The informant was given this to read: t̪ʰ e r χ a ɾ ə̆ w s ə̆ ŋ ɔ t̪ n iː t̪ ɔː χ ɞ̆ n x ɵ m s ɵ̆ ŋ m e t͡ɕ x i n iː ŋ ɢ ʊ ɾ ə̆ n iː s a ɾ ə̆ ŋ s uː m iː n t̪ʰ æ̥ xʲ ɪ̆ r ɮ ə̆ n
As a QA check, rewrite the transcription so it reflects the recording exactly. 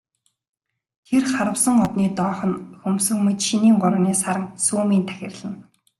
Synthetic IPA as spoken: t̪ʰ e r χ a ɾ ə̆ w s ə̆ ŋ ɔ t̪ n iː t̪ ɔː χ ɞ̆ n x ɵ m s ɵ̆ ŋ m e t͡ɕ ʃ i n iː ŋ ɢ ʊ ɾ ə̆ n iː s a ɾ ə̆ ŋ s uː m iː n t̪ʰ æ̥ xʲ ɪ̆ r ɮ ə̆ n